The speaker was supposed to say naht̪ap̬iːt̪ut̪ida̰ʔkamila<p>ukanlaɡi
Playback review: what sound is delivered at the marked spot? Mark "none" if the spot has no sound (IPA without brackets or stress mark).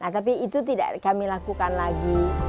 k